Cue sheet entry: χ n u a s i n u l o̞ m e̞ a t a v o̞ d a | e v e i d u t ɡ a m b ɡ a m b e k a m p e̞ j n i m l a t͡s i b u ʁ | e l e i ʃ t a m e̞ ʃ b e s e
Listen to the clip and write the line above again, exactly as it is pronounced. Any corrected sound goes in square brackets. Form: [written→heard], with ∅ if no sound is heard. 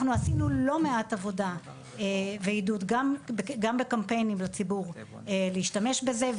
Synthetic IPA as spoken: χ n u a s i n u l o̞ m e̞ a t a v o̞ d a | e v e i d u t ɡ a m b ɡ a m b e k a m p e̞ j n i m l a t͡s i b u ʁ | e l e i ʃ t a m e̞ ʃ b e [s→z] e